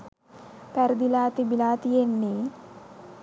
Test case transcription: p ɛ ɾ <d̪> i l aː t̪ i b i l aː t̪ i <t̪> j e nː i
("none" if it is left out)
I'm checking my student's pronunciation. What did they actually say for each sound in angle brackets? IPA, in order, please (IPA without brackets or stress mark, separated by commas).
d̪, none